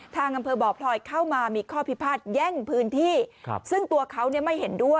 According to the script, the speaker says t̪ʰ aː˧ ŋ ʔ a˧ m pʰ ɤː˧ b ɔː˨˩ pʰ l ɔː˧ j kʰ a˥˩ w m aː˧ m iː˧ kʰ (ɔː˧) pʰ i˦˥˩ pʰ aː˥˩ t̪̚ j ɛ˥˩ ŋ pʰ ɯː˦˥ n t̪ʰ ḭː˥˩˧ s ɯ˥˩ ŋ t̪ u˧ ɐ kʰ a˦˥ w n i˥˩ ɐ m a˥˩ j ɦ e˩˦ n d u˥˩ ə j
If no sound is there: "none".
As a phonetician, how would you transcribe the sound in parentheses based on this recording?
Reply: ɔː˥˩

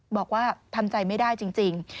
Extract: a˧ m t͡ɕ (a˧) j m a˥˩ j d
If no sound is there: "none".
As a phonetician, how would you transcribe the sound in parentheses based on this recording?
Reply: a˧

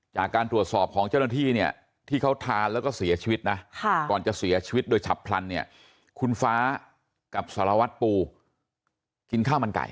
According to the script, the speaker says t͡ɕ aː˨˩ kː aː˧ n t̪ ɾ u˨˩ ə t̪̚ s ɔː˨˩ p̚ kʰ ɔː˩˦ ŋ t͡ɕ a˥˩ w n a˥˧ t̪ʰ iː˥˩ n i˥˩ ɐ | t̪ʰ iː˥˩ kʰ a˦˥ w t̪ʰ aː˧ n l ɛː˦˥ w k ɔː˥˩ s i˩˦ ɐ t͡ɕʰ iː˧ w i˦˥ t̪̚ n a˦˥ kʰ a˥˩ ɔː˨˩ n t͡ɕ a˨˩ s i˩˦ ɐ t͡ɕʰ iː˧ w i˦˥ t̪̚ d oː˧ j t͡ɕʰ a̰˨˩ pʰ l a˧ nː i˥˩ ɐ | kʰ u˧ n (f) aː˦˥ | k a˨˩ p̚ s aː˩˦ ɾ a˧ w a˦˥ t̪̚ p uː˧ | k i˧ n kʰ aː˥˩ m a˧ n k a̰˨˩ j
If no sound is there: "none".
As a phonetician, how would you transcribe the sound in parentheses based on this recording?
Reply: f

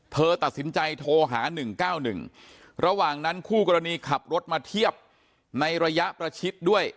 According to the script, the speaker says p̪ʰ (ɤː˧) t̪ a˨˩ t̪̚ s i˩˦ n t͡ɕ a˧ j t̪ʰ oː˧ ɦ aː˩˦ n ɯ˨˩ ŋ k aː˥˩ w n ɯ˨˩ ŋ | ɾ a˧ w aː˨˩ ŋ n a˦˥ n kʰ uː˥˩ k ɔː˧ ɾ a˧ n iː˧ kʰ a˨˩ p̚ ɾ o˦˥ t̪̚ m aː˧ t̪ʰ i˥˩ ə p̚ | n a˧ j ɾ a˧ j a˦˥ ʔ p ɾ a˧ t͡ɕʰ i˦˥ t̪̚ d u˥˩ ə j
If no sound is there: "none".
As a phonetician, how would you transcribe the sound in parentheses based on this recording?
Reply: ɤː˧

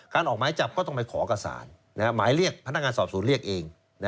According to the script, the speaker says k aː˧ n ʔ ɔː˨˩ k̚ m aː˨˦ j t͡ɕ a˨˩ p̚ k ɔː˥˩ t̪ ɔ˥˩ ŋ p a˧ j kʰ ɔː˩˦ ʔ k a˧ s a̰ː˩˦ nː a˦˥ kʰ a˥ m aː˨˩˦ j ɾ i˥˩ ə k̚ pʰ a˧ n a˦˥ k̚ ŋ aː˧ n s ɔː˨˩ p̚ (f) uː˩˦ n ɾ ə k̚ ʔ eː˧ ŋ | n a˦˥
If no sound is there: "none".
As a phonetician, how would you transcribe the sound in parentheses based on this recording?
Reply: s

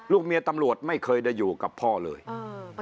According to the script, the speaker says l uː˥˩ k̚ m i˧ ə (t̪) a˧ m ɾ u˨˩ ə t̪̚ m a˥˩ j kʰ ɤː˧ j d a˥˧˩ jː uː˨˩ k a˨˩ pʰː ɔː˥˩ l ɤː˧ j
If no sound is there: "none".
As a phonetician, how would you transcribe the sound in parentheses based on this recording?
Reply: t̪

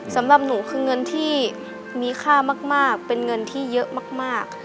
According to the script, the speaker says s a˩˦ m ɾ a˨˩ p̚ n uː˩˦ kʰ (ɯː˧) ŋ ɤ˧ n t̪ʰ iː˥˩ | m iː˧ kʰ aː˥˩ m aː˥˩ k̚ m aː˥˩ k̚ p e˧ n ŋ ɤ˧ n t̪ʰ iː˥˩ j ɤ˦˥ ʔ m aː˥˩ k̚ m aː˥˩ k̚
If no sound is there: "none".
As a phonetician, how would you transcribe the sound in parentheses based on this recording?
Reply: ɯː˧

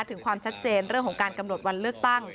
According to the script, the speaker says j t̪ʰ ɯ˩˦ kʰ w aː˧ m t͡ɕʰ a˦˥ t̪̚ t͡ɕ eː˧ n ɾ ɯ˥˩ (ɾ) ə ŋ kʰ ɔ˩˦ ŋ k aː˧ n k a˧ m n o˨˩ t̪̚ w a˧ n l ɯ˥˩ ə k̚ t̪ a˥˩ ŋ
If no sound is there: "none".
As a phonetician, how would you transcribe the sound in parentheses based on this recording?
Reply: none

